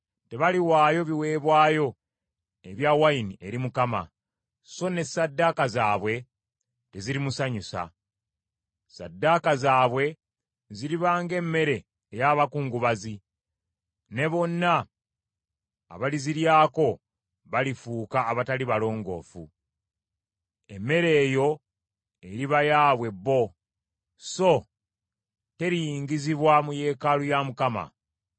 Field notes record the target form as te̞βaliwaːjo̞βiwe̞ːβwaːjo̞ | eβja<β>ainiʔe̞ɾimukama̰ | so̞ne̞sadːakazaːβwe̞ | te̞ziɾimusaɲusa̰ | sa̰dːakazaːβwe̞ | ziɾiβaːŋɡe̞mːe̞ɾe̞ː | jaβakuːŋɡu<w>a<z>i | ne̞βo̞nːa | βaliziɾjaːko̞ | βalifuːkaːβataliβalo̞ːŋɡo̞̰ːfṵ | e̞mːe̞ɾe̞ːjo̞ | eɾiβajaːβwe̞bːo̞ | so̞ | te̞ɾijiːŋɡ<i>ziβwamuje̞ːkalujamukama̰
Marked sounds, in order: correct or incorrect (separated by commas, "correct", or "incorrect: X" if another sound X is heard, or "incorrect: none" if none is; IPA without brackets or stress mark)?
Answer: incorrect: w, incorrect: β, correct, correct